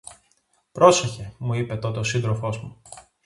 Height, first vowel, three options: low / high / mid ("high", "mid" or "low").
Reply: mid